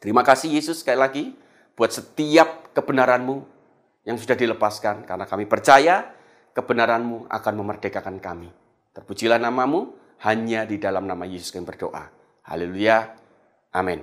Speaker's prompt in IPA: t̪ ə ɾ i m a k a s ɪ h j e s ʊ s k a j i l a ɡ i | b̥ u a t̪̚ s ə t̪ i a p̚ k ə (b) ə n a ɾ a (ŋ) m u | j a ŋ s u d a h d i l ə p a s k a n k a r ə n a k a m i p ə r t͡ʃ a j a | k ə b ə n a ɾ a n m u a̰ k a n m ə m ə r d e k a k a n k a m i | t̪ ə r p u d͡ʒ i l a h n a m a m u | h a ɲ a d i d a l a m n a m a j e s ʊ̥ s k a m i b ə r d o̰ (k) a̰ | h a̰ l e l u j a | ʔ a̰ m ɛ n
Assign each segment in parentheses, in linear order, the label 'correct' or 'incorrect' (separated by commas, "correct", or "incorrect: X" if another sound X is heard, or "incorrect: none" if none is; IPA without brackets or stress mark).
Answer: correct, incorrect: n, incorrect: ʔ